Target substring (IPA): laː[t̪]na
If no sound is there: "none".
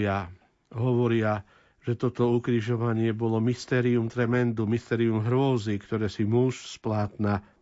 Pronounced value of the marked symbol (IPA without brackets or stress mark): t̪